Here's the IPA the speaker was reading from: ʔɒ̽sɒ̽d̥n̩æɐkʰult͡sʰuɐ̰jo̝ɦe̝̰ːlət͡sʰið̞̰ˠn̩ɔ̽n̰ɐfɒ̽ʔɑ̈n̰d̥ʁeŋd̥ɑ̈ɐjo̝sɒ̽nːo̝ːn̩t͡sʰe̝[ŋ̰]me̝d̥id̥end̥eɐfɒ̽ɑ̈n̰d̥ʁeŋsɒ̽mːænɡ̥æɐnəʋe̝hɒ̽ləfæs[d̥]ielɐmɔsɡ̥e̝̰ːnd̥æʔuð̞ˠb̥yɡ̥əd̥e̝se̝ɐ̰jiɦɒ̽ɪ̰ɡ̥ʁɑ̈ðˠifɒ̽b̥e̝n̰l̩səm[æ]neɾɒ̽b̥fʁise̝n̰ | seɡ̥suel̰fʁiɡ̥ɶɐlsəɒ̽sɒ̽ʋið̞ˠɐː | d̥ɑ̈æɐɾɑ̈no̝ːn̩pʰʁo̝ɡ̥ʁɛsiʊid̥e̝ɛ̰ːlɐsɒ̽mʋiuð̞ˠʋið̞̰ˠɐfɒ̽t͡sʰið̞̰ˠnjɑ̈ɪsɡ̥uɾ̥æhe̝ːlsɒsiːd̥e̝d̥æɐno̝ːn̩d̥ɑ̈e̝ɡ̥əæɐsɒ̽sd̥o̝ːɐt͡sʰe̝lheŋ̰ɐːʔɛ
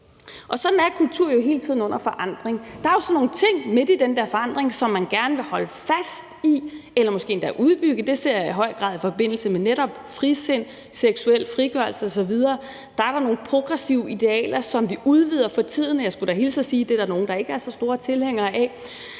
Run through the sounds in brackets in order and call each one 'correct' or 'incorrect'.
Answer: correct, correct, incorrect

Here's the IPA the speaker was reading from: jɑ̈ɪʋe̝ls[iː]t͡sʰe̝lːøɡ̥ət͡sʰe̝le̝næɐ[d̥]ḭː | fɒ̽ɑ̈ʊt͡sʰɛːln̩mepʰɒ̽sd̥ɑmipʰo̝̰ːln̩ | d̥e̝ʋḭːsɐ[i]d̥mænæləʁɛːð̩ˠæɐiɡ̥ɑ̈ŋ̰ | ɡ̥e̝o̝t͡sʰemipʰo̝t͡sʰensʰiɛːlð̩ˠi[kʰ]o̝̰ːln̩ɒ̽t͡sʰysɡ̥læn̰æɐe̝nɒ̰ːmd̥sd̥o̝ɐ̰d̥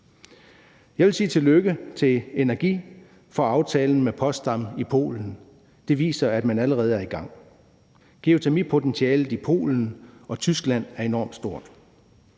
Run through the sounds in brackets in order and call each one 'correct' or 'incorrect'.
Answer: correct, incorrect, incorrect, incorrect

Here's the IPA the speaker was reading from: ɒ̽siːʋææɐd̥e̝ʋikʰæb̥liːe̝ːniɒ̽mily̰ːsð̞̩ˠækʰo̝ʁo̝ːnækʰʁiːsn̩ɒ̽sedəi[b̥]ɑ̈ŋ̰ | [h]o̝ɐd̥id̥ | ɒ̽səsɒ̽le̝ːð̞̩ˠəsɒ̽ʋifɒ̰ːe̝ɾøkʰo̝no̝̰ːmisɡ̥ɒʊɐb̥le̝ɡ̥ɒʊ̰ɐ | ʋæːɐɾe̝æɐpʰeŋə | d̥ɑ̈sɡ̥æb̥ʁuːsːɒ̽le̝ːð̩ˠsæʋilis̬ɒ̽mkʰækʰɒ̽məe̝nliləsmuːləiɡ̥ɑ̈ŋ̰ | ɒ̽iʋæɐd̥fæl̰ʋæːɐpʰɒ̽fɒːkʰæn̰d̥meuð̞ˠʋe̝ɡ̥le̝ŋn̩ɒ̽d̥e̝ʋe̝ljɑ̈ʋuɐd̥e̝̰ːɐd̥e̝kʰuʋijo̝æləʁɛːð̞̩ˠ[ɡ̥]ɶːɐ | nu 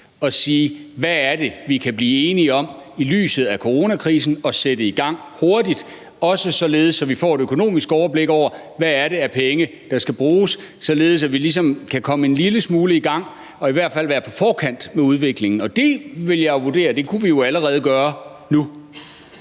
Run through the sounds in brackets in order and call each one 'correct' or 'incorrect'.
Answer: incorrect, correct, correct

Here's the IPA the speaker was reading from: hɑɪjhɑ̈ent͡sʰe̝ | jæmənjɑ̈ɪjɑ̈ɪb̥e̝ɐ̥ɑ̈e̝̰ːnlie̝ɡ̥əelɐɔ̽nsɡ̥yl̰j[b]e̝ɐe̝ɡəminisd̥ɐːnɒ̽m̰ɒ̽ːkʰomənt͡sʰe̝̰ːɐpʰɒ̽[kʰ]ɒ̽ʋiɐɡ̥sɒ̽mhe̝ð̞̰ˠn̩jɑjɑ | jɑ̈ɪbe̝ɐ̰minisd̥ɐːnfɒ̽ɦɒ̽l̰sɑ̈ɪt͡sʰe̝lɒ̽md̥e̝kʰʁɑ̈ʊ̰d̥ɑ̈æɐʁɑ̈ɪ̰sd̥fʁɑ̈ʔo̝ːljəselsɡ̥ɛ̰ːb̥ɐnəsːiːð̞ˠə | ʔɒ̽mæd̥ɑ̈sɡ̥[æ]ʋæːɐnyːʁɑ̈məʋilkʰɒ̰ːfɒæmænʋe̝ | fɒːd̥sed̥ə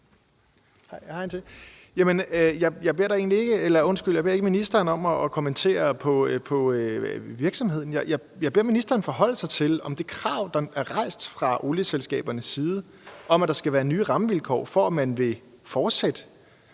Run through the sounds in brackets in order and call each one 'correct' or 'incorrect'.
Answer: correct, incorrect, correct

